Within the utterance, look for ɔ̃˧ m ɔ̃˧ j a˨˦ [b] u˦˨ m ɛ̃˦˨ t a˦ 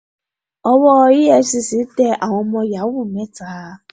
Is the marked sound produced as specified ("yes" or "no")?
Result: no